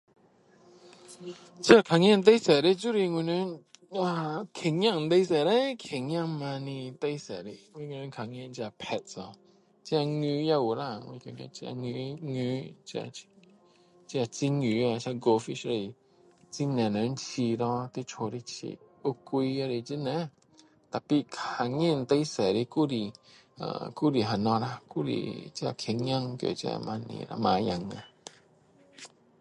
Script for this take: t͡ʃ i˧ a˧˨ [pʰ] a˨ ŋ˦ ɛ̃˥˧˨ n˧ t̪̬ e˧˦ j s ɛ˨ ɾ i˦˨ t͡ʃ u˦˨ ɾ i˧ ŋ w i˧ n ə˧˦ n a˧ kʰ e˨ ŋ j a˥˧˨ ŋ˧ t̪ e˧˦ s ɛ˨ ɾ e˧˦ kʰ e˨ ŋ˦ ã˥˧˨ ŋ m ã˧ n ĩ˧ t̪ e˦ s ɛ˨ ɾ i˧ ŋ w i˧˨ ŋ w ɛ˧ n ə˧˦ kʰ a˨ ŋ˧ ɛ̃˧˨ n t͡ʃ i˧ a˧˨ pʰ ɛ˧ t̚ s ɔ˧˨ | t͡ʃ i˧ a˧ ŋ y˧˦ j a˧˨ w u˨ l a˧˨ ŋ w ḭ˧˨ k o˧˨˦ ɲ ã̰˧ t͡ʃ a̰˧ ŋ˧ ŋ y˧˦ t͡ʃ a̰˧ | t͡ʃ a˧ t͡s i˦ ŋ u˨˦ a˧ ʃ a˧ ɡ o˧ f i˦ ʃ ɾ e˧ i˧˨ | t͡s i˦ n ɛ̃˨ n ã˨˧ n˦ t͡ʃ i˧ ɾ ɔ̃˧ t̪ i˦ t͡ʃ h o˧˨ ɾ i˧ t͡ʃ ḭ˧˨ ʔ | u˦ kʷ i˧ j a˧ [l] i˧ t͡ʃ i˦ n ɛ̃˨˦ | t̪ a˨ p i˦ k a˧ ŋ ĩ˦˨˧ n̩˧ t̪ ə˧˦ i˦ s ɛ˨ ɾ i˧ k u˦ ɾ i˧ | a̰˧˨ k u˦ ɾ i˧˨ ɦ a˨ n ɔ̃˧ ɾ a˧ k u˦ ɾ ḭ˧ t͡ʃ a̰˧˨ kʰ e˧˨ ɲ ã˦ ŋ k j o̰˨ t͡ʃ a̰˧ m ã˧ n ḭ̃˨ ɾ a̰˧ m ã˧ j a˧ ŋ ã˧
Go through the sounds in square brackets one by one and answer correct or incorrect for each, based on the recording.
incorrect, incorrect

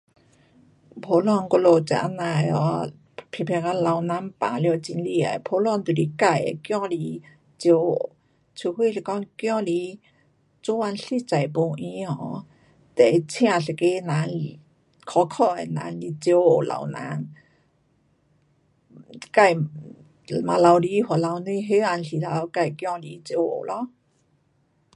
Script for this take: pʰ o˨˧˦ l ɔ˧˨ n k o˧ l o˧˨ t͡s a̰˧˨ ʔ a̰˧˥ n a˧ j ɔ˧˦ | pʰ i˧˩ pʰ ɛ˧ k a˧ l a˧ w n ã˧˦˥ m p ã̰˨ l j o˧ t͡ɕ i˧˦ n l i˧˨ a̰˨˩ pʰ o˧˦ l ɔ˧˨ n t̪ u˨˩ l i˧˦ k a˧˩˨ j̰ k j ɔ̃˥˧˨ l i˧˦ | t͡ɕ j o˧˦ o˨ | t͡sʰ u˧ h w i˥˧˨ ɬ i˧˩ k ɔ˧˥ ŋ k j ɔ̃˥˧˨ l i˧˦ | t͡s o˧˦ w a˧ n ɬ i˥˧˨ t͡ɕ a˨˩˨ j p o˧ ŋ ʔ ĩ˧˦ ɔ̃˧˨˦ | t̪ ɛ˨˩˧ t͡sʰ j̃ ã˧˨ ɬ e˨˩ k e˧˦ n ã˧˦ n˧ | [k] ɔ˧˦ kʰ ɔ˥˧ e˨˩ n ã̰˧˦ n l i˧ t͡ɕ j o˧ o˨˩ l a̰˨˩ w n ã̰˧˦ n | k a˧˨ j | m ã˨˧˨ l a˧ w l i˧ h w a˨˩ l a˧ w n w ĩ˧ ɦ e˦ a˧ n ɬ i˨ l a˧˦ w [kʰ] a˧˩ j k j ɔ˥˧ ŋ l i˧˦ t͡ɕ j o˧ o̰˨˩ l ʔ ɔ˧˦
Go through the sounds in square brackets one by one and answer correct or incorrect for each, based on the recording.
incorrect, incorrect

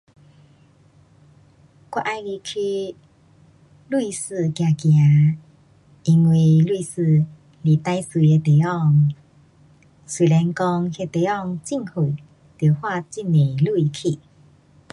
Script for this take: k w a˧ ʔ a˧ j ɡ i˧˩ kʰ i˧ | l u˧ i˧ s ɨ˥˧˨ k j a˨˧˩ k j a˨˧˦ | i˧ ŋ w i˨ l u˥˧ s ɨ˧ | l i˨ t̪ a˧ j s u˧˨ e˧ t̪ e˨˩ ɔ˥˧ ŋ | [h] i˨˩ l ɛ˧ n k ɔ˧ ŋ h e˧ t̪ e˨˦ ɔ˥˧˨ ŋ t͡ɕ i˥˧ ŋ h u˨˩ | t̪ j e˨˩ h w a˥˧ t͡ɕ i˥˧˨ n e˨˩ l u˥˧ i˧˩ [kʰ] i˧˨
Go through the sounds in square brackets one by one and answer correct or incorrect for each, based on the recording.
incorrect, correct

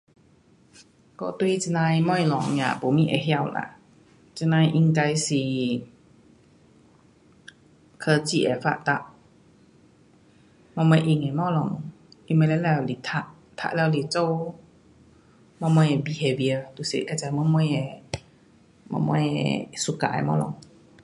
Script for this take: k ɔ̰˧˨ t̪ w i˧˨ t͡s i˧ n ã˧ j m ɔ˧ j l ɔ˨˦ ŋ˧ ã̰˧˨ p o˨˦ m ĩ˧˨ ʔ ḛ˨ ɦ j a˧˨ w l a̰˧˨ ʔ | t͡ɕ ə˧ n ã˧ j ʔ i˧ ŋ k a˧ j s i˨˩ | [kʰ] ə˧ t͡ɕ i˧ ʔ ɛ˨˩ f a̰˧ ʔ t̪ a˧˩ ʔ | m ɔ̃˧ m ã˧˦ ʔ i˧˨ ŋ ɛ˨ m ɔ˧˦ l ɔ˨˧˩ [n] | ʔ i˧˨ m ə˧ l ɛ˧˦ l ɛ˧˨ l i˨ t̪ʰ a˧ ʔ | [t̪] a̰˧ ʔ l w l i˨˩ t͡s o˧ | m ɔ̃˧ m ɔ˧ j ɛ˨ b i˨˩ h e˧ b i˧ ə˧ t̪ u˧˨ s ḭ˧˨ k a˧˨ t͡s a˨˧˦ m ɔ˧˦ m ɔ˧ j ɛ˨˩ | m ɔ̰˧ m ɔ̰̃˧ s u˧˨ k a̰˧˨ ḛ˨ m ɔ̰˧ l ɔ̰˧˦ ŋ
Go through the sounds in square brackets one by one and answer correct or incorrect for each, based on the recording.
correct, incorrect, incorrect

